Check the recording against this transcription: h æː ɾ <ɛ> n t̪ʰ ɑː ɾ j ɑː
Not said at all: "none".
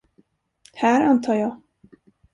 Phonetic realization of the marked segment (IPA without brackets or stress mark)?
a